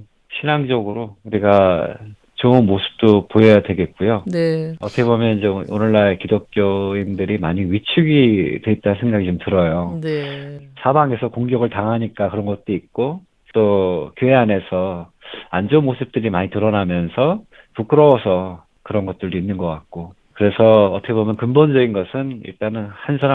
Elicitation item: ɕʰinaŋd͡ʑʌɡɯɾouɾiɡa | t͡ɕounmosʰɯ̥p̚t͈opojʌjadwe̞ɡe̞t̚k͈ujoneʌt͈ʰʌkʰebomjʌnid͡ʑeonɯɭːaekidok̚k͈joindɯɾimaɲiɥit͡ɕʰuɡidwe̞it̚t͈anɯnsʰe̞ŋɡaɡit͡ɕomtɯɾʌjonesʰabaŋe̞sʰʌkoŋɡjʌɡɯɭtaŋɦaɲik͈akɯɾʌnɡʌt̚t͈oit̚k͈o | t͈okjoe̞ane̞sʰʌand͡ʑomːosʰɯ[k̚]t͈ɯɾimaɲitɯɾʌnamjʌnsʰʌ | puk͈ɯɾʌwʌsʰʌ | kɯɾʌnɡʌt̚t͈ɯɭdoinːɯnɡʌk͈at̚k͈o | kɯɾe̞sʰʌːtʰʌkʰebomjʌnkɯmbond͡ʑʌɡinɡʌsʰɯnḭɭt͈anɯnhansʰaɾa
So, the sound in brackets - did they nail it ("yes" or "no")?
no